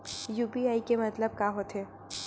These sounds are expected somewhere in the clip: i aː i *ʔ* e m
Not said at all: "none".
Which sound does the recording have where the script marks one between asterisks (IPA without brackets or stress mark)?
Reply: k